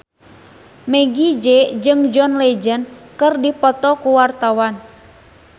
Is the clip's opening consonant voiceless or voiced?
voiced